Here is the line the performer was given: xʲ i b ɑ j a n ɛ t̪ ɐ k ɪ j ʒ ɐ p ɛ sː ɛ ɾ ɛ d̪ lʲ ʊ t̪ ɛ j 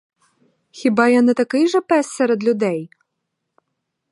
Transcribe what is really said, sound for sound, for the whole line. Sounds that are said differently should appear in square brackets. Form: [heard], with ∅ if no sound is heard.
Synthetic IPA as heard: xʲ i b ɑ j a n ɛ t̪ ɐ k ɪ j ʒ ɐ p ɛ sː ɛ ɾ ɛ d̪ lʲ ʊ [d̪] ɛ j